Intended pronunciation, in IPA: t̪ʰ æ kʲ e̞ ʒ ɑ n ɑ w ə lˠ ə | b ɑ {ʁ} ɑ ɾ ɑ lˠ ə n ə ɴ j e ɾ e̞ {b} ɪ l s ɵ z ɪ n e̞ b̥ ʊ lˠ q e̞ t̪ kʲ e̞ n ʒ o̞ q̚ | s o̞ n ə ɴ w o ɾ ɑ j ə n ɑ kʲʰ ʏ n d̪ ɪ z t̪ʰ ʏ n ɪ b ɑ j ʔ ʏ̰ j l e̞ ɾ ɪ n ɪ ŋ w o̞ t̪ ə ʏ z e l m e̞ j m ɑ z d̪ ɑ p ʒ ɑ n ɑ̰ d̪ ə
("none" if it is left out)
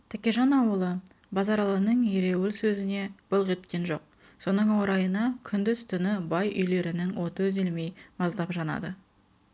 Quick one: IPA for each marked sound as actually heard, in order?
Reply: z, w

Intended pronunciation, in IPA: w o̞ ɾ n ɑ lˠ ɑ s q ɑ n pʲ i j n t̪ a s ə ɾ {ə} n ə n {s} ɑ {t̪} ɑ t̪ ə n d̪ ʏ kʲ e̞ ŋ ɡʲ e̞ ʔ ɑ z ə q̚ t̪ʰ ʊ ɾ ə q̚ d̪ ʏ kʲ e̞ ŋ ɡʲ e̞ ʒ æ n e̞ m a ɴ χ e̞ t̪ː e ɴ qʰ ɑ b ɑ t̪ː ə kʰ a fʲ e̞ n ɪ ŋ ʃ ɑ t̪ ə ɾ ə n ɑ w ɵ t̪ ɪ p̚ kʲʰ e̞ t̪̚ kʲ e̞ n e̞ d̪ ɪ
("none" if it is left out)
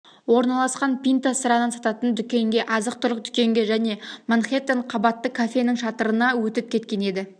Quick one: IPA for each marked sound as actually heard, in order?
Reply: ɑ, s, t̪

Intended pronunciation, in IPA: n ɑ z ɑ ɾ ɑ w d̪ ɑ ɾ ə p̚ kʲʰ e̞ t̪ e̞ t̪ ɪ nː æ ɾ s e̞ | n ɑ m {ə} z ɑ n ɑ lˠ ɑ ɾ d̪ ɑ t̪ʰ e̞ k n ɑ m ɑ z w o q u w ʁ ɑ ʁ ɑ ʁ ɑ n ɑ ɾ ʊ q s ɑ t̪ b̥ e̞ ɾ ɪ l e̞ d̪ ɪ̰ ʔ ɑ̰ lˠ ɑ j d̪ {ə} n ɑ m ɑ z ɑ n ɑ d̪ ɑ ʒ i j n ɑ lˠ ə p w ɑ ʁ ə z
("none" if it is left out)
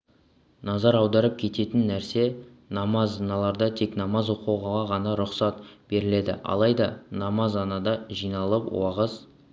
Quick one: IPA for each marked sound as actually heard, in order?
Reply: ɑ, ɑ

